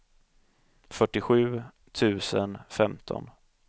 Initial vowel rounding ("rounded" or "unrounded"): rounded